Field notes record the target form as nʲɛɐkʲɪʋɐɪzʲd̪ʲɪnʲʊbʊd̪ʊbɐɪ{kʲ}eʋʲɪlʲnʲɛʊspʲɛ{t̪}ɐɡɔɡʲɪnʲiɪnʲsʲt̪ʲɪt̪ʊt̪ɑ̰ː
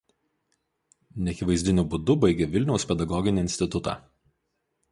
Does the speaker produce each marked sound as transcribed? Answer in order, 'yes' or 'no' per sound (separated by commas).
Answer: no, no